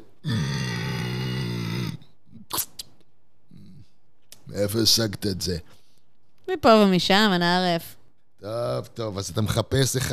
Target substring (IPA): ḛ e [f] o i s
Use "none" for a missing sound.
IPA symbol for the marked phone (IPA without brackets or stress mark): f